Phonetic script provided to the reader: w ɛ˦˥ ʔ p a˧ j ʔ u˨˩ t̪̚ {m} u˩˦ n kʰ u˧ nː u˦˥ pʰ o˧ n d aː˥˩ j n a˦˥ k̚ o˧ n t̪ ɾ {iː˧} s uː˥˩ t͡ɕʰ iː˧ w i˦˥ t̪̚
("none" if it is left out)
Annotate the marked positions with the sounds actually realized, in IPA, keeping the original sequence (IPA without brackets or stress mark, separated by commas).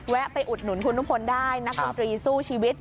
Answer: n, iː˧